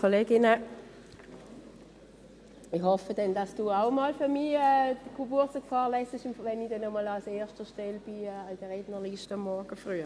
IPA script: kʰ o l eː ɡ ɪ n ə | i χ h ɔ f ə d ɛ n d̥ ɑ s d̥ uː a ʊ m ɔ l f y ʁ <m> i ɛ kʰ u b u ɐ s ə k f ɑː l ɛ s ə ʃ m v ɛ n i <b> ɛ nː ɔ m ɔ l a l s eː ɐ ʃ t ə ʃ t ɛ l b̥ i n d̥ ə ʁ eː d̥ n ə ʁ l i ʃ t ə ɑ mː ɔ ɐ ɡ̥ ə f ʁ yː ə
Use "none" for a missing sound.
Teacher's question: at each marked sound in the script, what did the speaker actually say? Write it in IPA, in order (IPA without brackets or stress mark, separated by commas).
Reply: m, d